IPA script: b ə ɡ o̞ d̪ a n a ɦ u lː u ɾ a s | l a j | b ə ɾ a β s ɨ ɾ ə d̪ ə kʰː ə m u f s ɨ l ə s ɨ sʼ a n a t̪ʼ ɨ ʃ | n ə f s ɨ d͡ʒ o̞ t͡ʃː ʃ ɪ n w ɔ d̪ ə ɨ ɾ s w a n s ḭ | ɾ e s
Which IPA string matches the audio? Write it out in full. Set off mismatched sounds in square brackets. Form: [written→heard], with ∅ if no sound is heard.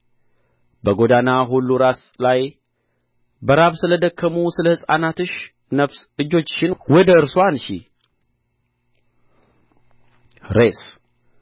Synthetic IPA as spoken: b ə ɡ o̞ d̪ a n a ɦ u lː u ɾ a s | l a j | b ə ɾ a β s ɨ [ɾ→l] ə d̪ ə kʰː ə m u [f→∅] s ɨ l ə [s→h] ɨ sʼ a n a [t̪ʼ→t̪] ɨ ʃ | n ə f s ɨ d͡ʒ o̞ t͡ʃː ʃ ɪ n w ɔ d̪ ə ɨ ɾ s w a n [s→ʃ] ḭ | ɾ e s